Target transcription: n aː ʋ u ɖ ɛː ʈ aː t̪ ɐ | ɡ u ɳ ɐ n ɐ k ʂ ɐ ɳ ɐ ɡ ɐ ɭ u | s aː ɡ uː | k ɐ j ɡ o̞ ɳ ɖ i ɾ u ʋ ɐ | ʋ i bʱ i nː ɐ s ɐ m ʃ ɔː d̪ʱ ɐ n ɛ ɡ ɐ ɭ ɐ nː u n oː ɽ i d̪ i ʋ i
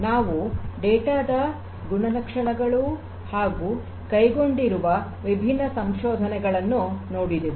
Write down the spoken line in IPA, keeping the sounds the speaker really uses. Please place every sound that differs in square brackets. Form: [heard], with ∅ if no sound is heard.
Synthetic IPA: n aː ʋ u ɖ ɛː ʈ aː [d̪] ɐ | ɡ u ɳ ɐ n ɐ k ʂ ɐ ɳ ɐ ɡ ɐ ɭ u | [h] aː ɡ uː | k ɐ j ɡ o̞ ɳ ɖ i ɾ u ʋ ɐ | ʋ i bʱ i nː ɐ s ɐ m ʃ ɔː d̪ʱ ɐ n ɛ ɡ ɐ ɭ ɐ nː u n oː ɽ i d̪ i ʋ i